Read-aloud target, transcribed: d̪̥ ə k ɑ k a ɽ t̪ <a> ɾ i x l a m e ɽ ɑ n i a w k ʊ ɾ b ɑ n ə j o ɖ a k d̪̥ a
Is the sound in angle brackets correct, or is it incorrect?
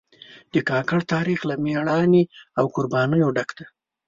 incorrect